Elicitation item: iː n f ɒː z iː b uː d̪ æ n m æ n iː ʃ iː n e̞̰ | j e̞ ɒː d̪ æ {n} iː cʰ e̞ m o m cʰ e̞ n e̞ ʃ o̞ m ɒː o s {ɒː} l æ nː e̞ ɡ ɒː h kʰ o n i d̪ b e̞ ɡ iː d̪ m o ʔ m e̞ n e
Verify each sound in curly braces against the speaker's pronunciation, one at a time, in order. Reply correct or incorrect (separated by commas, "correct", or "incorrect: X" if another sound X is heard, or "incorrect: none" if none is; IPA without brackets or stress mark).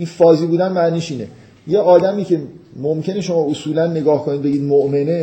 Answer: incorrect: m, incorrect: uː